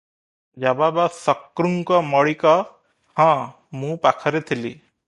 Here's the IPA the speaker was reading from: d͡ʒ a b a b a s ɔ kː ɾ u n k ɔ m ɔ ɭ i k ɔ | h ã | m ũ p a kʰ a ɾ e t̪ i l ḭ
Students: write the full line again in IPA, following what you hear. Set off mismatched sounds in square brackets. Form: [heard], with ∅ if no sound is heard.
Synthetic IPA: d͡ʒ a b a b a s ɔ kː ɾ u [ŋ] k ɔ m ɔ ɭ i k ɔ | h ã | m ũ p a kʰ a ɾ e [t̪ʰ] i l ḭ